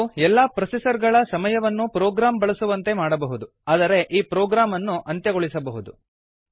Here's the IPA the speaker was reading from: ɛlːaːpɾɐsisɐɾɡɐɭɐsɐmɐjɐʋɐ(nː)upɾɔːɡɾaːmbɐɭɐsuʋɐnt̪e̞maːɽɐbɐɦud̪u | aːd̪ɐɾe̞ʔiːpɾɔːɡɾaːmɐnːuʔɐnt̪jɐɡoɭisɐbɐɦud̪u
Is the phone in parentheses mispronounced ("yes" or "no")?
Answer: no